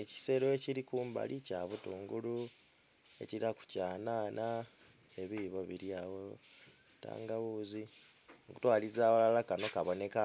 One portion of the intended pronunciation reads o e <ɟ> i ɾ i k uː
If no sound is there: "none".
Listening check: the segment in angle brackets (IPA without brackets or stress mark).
c